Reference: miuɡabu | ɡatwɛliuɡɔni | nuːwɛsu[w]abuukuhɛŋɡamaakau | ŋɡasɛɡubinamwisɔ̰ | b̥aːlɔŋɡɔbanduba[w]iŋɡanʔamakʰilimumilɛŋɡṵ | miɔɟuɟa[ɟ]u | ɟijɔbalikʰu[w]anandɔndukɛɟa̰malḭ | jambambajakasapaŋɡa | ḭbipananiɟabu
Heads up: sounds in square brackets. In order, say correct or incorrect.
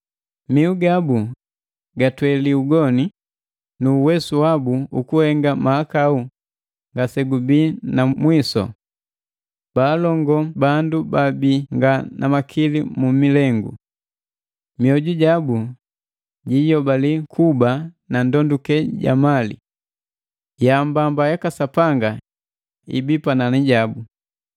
correct, incorrect, incorrect, incorrect

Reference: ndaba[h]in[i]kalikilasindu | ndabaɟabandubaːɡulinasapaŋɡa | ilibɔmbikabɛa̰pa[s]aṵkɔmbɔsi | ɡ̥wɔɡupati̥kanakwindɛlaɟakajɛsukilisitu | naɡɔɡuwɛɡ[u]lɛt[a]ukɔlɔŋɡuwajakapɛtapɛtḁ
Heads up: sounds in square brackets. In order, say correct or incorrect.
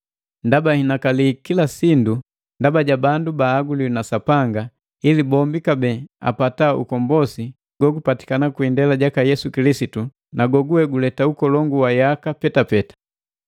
correct, incorrect, incorrect, correct, correct

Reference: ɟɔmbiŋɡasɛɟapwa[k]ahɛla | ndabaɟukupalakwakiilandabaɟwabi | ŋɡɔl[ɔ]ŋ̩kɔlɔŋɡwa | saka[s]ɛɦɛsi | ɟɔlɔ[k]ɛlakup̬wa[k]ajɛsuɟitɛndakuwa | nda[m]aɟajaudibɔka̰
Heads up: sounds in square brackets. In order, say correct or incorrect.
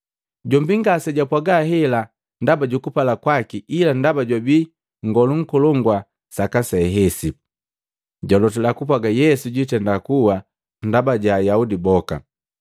incorrect, incorrect, correct, incorrect, incorrect, incorrect

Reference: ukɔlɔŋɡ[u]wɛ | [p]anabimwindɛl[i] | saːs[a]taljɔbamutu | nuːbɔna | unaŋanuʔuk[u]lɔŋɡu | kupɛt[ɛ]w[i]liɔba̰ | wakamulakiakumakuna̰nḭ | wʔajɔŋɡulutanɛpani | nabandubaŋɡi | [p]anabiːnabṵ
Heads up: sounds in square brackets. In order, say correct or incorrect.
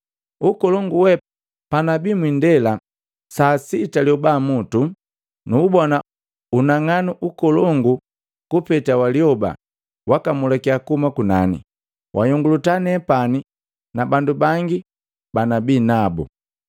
correct, correct, incorrect, incorrect, incorrect, incorrect, incorrect, incorrect

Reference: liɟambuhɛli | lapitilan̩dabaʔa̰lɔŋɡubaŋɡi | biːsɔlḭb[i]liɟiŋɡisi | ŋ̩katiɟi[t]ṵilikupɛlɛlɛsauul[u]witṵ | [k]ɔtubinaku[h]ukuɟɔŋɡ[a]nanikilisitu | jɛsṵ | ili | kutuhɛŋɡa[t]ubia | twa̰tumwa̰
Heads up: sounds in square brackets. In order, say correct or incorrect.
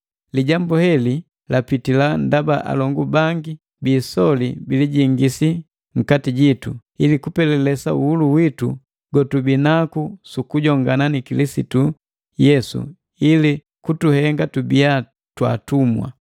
correct, correct, correct, incorrect, incorrect, correct, correct

